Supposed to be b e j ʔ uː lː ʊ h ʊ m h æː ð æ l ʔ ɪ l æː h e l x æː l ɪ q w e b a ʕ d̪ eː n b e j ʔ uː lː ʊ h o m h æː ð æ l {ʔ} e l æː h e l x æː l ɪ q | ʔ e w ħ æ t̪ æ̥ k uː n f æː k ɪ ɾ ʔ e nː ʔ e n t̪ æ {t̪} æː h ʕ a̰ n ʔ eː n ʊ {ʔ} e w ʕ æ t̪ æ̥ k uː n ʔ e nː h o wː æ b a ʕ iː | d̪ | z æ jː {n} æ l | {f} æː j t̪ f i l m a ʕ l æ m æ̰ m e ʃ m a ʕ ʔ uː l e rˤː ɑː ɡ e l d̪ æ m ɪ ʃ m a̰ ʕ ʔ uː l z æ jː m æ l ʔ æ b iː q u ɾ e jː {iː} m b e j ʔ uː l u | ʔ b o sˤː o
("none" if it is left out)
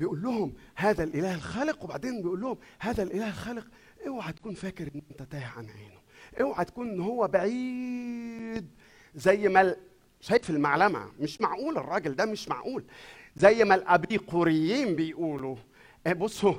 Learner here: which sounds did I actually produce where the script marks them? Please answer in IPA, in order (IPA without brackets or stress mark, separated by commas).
ʔ, t̪, ʔ, m, ʃ, iː